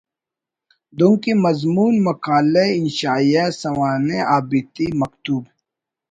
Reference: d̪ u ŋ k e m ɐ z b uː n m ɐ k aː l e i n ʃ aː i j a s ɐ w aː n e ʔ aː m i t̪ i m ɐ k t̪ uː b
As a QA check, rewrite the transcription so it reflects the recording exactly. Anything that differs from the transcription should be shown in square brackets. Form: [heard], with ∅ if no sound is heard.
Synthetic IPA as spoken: d̪ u ŋ k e m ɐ z [m] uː n m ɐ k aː l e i n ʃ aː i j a s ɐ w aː n e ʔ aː [b] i t̪ i m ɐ k t̪ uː b